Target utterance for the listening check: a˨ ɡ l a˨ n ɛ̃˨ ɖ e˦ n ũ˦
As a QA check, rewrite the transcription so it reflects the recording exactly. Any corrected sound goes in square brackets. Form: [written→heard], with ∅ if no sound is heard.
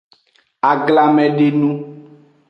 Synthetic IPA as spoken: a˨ ɡ l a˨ [n→m] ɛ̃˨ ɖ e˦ n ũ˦